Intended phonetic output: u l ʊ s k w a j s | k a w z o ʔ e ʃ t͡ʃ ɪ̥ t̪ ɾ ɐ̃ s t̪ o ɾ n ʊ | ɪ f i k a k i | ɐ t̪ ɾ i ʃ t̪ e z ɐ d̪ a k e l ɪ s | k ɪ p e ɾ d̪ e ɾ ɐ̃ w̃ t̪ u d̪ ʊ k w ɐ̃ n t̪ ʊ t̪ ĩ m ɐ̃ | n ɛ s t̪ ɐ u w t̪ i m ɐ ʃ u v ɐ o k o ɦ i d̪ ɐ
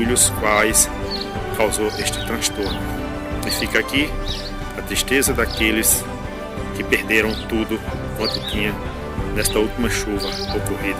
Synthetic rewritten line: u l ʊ s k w a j s | k a w z o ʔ e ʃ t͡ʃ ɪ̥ t̪ ɾ ɐ̃ s t̪ o ɾ n ʊ | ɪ f i k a k i | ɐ t̪ ɾ i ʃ t̪ e z ɐ d̪ a k e l ɪ s | k ɪ p e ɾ d̪ e ɾ ɐ̃ w̃ t̪ u d̪ ʊ k w ɐ̃ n t̪ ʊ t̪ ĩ ɲ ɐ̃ | n ɛ s t̪ ɐ u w t̪ i m ɐ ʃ u v ɐ o k o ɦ i d̪ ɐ